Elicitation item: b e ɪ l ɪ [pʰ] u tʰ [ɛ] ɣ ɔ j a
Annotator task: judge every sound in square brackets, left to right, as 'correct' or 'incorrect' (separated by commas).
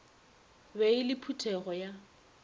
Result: correct, correct